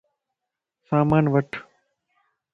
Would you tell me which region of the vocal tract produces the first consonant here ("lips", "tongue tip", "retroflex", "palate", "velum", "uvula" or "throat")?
tongue tip